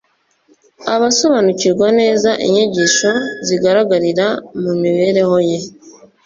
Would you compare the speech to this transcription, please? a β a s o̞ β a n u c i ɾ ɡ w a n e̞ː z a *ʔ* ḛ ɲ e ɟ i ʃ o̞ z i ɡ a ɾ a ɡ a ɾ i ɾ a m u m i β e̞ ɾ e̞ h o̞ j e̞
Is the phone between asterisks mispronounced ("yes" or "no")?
no